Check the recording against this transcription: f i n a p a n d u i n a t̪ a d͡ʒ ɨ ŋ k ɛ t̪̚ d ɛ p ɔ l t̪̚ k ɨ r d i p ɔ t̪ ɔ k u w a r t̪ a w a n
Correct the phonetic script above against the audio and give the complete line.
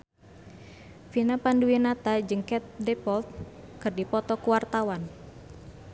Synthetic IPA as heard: f i n a p a n d u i n a t̪ a d͡ʒ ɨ ŋ k ɛ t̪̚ d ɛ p ɔ l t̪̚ k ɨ r d i p ɔ t̪ ɔ k u w a r t̪ a w a n